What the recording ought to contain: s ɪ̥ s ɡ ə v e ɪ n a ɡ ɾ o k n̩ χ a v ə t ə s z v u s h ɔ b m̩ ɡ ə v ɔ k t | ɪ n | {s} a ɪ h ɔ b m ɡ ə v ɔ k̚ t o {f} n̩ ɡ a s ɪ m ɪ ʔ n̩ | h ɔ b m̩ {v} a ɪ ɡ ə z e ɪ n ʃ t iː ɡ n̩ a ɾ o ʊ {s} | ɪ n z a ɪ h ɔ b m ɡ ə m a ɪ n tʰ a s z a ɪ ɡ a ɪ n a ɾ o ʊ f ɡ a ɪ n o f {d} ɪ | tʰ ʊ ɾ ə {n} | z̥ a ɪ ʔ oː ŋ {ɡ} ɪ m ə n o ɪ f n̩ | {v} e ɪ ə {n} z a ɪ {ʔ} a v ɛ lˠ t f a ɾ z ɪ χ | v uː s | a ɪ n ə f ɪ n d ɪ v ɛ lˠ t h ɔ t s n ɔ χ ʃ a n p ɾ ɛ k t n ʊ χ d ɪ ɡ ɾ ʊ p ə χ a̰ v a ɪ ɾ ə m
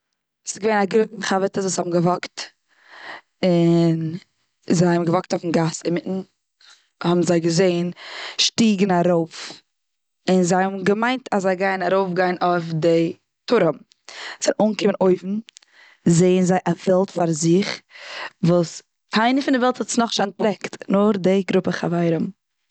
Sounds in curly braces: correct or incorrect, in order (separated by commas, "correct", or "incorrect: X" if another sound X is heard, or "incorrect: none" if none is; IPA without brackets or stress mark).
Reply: incorrect: z, correct, incorrect: z, incorrect: f, correct, incorrect: m, incorrect: k, incorrect: z, correct, correct